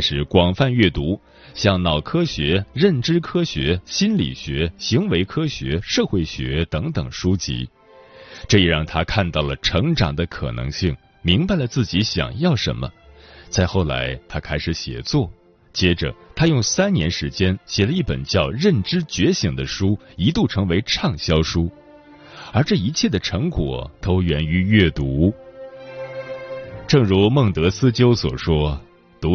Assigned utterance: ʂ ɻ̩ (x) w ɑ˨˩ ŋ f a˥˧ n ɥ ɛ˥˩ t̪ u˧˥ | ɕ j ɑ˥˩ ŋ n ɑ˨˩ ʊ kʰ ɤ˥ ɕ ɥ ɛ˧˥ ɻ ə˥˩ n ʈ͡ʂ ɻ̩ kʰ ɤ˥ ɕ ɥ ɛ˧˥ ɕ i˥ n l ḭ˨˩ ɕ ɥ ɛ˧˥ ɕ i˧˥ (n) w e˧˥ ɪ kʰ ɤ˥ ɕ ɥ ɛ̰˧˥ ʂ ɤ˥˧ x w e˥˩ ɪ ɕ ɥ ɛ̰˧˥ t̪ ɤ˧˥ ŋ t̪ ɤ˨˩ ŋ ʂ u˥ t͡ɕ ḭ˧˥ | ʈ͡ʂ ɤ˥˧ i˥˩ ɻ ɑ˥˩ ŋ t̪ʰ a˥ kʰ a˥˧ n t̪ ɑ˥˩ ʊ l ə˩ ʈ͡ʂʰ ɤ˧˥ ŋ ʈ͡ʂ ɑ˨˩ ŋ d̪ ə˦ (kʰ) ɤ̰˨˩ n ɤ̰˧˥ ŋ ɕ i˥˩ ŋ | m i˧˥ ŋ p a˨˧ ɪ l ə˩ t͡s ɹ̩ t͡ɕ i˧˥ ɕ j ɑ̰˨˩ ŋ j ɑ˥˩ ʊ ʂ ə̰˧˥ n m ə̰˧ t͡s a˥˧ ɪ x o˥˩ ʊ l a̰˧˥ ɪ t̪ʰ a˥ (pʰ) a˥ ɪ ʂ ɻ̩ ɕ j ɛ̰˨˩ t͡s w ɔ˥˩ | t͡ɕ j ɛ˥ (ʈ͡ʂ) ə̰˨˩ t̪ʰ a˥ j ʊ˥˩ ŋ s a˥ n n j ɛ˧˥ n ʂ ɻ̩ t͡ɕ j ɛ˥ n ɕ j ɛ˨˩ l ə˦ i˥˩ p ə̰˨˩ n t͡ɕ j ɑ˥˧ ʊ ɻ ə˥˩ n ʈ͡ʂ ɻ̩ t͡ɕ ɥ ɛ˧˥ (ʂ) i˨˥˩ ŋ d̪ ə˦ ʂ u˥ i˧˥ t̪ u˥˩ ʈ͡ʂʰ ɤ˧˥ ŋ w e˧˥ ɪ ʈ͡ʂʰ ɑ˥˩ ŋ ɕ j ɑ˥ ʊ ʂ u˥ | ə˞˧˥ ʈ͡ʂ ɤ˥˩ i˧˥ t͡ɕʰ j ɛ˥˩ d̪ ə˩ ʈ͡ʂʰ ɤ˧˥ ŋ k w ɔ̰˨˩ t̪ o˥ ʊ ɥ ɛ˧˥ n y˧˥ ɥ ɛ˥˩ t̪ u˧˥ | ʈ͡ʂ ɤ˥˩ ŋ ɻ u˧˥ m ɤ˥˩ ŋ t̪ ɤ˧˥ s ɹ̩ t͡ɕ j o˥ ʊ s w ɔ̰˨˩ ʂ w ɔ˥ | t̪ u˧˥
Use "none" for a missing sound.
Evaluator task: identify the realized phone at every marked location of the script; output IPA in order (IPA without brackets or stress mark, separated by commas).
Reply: k, ŋ, kʰ, kʰ, ʈ͡ʂ, ɕ